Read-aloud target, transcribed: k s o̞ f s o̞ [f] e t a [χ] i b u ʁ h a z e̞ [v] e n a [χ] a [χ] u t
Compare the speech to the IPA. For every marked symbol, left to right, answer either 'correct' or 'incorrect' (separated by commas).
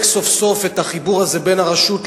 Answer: correct, correct, incorrect, incorrect, incorrect